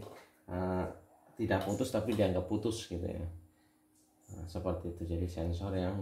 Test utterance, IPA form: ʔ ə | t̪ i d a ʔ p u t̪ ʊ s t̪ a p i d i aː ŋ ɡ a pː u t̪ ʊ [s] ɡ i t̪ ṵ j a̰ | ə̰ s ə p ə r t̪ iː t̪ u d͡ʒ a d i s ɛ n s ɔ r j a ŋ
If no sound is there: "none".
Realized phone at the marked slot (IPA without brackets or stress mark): s